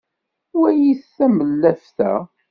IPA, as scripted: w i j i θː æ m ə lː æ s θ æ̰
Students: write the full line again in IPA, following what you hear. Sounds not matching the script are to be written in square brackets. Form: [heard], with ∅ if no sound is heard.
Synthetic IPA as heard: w [æ] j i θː æ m ə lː æ [f] θ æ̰